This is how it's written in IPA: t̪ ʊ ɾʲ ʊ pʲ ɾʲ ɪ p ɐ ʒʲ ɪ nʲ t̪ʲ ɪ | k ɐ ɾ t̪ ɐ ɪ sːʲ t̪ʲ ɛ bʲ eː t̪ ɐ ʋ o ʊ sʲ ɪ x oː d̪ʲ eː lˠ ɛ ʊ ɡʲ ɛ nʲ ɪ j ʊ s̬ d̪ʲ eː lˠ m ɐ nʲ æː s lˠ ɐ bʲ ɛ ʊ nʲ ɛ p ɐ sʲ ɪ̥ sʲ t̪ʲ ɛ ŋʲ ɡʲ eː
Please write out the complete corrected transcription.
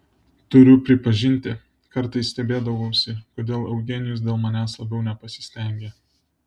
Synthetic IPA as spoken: t̪ ʊ ɾʲ ʊ pʲ ɾʲ ɪ p ɐ ʒʲ ɪ nʲ t̪ʲ ɪ | k ɐ ɾ t̪ ɐ ɪ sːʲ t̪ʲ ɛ bʲ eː d̪ ɐ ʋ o ʊ sʲ ɪ k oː d̪ʲ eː lˠ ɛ ʊ ɡʲ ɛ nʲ ɪ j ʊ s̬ d̪ʲ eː lˠ m ɐ nʲ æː s lˠ ɐ bʲ ɛ ʊ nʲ ɛ p ɐ sʲ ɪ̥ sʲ t̪ʲ ɛ ŋʲ ɡʲ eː

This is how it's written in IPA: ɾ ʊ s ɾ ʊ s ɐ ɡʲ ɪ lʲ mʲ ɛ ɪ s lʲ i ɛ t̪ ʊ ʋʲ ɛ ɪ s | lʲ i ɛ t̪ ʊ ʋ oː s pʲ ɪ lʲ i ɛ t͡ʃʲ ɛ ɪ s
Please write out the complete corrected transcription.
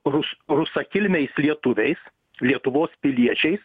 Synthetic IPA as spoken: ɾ ʊ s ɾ ʊ s ɐ kʲ ɪ lʲ mʲ ɛ ɪ s lʲ i ɛ t̪ ʊ ʋʲ ɛ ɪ s | lʲ i ɛ t̪ ʊ ʋ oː s pʲ ɪ lʲ i ɛ t͡ʃʲ ɛ ɪ s

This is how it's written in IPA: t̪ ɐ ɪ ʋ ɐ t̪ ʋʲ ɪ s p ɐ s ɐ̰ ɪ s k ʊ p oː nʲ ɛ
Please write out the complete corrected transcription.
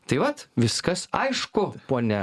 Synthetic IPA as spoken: t̪ ɐ ɪ ʋ ɐ t̪ ʋʲ ɪ s k ɐ s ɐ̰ ɪ ʃ k ʊ p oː nʲ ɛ

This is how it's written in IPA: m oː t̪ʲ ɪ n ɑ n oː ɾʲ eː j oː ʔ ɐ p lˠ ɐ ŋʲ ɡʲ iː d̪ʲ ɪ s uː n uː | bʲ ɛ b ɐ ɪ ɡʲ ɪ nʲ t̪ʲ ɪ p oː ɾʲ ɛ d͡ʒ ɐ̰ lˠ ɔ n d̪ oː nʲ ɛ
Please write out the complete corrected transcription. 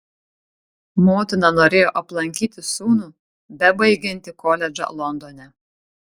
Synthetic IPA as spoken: m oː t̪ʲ ɪ n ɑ n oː ɾʲ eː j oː ʔ ɐ p lˠ ɐ ŋʲ kʲ iː t̪ʲ ɪ s uː n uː | bʲ ɛ b ɐ ɪ ɡʲ ɪ nʲ t̪ʲ ɪ k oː lʲ ɛ d͡ʒ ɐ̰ lˠ ɔ n d̪ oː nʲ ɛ

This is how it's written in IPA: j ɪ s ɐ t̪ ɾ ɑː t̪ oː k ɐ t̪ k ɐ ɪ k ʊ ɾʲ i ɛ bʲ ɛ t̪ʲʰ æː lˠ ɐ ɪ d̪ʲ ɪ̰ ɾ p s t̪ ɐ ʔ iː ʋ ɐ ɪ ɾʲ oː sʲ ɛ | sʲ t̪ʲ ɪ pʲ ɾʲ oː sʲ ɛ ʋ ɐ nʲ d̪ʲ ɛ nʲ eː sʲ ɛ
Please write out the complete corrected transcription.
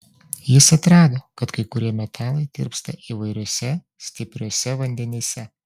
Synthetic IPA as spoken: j ɪ s ɐ t̪ ɾ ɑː d̪ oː k ɐ t̪ k ɐ ɪ k ʊ ɾʲ i ɛ mʲ ɛ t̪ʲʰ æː lˠ ɐ ɪ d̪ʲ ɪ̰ ɾ p s t̪ ɐ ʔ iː ʋ ɐ ɪ ɾʲ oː sʲ ɛ | sʲ t̪ʲ ɪ pʲ ɾʲ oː sʲ ɛ ʋ ɐ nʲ d̪ʲ ɛ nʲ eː sʲ ɛ

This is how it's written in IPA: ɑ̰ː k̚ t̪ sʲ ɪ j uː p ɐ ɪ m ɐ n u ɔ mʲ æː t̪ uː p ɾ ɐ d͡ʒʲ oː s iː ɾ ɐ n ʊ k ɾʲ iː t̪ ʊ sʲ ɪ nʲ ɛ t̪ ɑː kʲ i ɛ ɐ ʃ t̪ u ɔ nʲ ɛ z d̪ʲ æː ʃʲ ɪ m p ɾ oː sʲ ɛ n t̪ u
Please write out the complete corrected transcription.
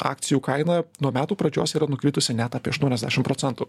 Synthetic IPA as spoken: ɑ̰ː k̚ t̪ sʲ ɪ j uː k ɐ ɪ n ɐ n u ɔ mʲ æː t̪ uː p ɾ ɐ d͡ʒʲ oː s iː ɾ ɐ n ʊ k ɾʲ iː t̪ ʊ sʲ ɪ nʲ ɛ t̪ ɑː pʲ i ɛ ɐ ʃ t̪ u ɔ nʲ ɛ z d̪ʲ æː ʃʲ ɪ m p ɾ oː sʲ ɛ n t̪ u

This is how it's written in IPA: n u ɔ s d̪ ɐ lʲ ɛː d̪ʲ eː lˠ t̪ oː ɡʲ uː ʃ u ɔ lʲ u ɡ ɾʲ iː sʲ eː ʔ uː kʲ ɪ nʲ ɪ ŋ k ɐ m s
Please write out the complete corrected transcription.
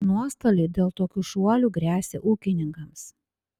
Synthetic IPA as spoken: n u ɔ s t̪ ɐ lʲ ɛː d̪ʲ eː lˠ t̪ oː kʲ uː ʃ u ɔ lʲ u ɡ ɾʲ æː sʲ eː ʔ uː kʲ ɪ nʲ ɪ ŋ k ɐ m s

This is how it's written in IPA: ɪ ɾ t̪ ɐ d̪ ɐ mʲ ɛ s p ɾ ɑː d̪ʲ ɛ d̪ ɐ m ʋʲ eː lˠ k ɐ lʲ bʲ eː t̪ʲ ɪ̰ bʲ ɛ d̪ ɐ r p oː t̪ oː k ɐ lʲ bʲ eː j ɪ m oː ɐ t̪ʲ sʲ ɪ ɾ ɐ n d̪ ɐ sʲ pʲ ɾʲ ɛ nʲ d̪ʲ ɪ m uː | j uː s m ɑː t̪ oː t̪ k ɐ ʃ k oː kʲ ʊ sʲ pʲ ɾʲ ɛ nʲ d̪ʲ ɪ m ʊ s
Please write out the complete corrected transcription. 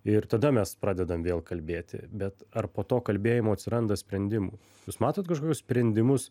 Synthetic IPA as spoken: ɪ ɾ t̪ ɐ d̪ ɐ mʲ ɛ s p ɾ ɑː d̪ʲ ɛ d̪ ɐ m ʋʲ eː lˠ k ɐ lʲ bʲ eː t̪ʲ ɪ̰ bʲ ɛ t̪ ɐ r p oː t̪ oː k ɐ lʲ bʲ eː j ɪ m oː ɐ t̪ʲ sʲ ɪ ɾ ɐ n d̪ ɐ sʲ pʲ ɾʲ ɛ nʲ d̪ʲ ɪ m uː | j uː s m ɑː t̪ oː t̪ k ɐ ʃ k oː kʲ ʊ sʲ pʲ ɾʲ ɛ nʲ d̪ʲ ɪ m ʊ s

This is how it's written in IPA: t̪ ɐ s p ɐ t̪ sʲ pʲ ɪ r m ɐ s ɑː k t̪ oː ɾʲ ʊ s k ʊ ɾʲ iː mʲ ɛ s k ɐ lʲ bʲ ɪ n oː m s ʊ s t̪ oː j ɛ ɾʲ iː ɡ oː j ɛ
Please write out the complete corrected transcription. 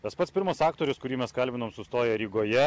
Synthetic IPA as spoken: t̪ ɐ s p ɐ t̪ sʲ pʲ ɪ ɾ m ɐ s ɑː k t̪ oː ɾʲ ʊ s k ʊ ɾʲ iː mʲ ɛ s k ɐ lʲ bʲ ɪ n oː m s ʊ s t̪ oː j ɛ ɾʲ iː ɡ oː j ɛ

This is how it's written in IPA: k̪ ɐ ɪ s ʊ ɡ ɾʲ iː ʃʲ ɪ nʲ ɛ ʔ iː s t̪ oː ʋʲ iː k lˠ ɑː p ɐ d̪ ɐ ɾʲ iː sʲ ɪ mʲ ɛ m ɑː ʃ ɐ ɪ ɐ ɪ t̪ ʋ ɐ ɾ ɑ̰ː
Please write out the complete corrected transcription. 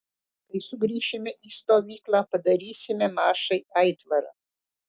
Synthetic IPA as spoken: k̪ ɐ ɪ s ʊ ɡ ɾʲ iː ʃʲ ɪ mʲ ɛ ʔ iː s t̪ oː ʋʲ iː k lˠ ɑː p ɐ d̪ ɐ ɾʲ iː sʲ ɪ mʲ ɛ m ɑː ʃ ɐ ɪ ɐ ɪ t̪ ʋ ɐ ɾ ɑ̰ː

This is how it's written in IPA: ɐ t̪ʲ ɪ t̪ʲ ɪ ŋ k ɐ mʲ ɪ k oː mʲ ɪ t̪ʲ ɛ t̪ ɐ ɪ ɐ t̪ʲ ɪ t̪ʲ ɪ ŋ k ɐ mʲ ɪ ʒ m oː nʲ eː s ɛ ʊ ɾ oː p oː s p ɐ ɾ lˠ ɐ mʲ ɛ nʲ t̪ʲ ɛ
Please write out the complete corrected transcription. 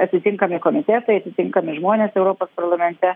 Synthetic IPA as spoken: ɐ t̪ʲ ɪ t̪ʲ ɪ ŋ k ɐ mʲ ɪ k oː mʲ ɪ t̪ʲ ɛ t̪ ɐ ɪ ɐ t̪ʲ ɪ t̪ʲ ɪ ŋ k ɐ mʲ ɪ ʒ m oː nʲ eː s ɛ ʊ ɾ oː p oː s p ɐ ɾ lˠ ɐ mʲ ɛ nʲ t̪ʲ ɛ

